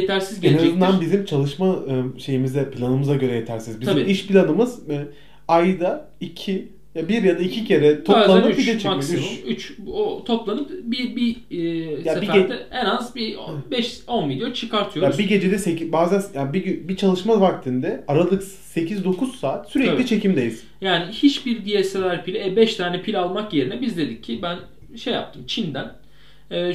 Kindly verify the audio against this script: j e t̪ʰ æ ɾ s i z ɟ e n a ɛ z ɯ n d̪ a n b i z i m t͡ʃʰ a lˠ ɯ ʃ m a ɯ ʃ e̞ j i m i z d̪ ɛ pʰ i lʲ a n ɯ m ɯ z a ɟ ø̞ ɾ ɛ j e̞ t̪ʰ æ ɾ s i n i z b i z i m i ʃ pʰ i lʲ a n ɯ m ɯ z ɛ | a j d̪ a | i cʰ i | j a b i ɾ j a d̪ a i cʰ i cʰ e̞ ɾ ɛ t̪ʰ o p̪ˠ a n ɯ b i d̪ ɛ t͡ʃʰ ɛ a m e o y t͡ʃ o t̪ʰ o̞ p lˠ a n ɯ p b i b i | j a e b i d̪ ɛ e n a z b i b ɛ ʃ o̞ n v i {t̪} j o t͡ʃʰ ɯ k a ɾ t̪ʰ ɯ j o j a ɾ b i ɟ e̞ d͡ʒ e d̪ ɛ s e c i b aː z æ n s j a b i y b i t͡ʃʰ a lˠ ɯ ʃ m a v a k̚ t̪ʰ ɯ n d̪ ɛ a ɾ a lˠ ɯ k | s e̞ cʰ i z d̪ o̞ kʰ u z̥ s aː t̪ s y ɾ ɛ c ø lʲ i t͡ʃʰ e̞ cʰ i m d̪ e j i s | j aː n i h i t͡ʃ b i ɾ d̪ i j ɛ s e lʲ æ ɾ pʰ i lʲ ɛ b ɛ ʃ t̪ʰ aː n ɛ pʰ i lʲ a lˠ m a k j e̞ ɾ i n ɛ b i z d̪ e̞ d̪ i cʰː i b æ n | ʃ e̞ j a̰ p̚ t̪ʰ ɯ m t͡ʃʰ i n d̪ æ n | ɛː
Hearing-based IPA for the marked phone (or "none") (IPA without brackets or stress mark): d̪